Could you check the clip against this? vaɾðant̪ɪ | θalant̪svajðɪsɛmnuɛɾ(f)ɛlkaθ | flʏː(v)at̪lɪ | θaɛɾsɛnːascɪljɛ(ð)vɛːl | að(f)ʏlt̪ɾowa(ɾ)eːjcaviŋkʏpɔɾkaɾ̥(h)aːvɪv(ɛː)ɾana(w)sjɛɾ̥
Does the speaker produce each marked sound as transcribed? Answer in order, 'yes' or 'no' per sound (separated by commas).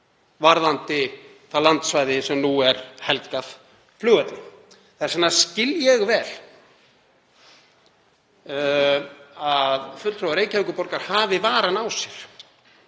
no, no, no, yes, yes, yes, no, yes